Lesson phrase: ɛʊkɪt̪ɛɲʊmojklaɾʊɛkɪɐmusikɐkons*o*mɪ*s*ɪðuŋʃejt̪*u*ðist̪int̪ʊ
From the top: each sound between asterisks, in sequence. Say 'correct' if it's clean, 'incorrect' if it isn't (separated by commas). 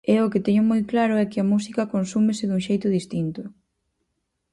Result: incorrect, correct, incorrect